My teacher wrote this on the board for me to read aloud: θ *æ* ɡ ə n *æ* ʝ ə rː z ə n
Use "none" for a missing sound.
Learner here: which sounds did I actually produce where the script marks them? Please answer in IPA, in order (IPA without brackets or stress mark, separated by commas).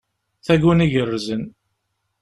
æ, i